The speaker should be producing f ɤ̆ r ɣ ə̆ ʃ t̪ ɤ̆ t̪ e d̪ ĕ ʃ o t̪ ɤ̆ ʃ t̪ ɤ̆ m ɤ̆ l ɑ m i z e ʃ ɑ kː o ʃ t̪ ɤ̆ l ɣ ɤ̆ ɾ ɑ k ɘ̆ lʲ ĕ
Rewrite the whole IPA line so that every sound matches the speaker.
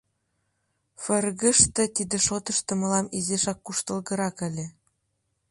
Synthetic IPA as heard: f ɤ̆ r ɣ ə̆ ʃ t̪ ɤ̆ t̪ i d̪ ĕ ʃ o t̪ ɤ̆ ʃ t̪ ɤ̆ m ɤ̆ l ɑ m i z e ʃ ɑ kː u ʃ t̪ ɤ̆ l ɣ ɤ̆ ɾ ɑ k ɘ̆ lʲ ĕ